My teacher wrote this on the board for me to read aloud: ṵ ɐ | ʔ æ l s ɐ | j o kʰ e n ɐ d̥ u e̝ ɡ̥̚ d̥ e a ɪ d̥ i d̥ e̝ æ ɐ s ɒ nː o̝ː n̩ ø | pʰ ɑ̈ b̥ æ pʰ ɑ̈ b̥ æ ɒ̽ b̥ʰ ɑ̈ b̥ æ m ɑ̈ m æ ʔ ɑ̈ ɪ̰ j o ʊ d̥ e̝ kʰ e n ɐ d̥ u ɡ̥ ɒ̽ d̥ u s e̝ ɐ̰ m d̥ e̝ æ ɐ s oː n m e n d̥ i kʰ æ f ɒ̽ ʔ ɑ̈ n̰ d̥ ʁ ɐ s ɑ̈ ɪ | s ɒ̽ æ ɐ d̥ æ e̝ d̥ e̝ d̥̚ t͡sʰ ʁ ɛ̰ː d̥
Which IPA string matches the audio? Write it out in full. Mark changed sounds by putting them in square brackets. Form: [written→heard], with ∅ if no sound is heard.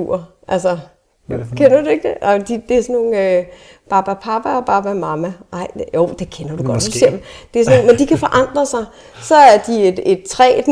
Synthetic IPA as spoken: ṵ ɐ | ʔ æ l s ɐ | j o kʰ e n ɐ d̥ u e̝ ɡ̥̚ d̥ e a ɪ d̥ i d̥ e̝ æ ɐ s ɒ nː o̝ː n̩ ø | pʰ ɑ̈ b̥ æ pʰ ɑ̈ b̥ æ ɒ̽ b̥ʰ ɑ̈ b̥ æ m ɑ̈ m æ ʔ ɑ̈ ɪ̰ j o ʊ d̥ e̝ kʰ e n ɐ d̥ u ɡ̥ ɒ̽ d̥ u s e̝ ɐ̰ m d̥ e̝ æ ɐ s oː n m e n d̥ i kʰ æ f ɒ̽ ʔ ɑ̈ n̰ d̥ ʁ ɐ s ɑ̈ ɪ | s ɒ̽ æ ɐ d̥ [æ→i] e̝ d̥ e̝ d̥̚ t͡sʰ ʁ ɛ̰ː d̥